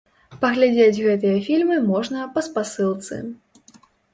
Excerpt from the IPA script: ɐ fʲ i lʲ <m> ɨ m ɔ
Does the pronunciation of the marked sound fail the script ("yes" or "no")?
no